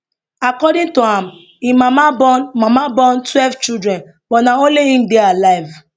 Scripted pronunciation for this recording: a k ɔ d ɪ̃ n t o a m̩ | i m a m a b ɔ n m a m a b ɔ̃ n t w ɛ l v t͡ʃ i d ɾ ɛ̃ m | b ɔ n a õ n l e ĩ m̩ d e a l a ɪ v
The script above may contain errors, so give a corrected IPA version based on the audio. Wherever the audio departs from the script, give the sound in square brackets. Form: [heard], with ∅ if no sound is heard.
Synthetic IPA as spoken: a k ɔ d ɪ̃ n t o a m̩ | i m a m a b ɔ n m a m a b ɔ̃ n t w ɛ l v t͡ʃ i d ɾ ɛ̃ [n] | b ɔ n a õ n l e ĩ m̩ d e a l a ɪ v